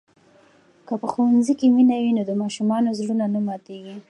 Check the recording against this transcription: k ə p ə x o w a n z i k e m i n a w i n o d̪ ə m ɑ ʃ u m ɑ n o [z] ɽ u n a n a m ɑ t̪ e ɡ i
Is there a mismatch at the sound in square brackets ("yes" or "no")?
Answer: no